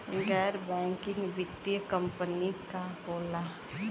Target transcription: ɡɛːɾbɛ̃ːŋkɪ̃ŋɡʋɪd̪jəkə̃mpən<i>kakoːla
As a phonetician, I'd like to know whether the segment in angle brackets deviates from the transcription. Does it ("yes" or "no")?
no